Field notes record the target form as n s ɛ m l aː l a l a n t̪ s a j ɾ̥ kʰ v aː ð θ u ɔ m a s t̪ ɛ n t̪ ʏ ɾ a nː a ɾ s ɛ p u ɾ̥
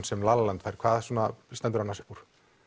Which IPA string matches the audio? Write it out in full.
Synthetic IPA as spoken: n s ɛ m l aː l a l a n t̪ f a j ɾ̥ kʰ v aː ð s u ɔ n a s t̪ ɛ n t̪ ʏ ɾ a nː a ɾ s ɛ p u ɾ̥